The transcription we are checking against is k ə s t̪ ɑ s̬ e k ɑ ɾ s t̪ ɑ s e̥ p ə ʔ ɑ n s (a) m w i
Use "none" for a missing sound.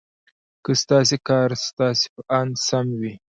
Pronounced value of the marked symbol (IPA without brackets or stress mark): a